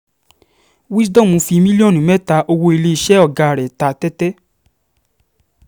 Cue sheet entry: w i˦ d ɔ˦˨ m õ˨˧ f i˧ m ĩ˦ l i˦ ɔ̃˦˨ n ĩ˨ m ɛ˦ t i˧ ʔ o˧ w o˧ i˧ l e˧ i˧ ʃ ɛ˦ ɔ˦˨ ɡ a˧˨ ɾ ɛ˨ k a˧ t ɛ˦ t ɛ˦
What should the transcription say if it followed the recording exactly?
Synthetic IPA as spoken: w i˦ d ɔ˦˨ m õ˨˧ f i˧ m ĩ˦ l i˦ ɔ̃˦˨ n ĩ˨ m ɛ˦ t a˧ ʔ o˧ w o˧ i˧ l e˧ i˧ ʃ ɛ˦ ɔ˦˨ ɡ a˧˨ ɾ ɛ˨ t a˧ t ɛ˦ t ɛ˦